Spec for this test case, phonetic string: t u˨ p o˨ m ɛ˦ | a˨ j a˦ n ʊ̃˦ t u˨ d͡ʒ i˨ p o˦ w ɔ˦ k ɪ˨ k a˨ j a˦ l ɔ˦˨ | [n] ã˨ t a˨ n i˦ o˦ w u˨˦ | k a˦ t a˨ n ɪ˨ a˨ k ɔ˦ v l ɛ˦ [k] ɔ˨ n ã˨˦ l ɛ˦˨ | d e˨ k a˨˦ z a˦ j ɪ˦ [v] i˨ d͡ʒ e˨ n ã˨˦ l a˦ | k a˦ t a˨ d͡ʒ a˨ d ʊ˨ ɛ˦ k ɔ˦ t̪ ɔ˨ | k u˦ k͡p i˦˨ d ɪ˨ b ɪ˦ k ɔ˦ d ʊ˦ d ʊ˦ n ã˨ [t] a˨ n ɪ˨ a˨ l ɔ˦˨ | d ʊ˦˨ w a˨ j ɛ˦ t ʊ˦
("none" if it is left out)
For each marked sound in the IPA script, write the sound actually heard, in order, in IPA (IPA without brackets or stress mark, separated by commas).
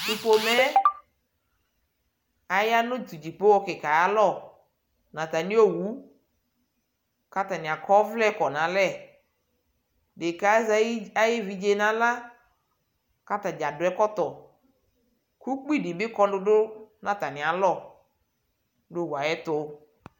n, k, v, t